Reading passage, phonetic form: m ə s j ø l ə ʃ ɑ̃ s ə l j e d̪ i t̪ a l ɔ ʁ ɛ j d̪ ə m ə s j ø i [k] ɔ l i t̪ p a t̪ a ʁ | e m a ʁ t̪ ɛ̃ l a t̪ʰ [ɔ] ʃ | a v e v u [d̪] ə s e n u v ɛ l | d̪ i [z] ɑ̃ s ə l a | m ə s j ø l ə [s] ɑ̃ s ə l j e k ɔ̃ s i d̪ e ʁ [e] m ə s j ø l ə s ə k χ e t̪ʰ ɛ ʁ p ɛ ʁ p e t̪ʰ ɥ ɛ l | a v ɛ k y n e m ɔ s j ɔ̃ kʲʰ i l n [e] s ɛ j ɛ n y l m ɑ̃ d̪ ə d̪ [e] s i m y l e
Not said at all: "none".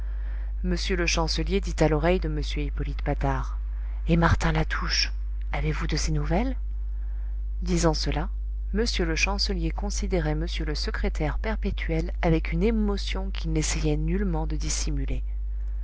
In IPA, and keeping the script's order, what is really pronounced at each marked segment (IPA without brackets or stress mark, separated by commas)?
p, u, d̪, z, ʃ, ɛ, e, i